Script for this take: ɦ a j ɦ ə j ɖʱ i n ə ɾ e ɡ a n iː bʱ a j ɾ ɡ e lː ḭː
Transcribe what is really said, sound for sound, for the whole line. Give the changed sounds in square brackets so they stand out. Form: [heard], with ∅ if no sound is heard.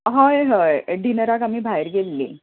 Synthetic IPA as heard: ɦ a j ɦ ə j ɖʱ i n ə ɾ [a] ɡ a [m] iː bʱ a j ɾ ɡ e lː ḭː